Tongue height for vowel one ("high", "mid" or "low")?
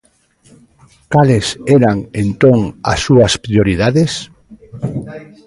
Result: low